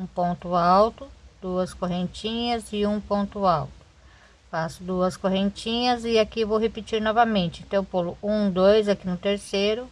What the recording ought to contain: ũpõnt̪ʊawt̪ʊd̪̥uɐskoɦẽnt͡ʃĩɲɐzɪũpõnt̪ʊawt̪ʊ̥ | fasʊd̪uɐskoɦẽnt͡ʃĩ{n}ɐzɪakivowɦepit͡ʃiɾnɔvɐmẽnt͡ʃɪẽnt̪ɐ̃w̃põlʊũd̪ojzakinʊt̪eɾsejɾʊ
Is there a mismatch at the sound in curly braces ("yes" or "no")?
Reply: yes